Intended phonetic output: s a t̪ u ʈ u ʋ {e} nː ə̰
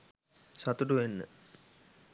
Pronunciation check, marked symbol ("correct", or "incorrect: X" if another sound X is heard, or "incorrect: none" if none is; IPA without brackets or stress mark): correct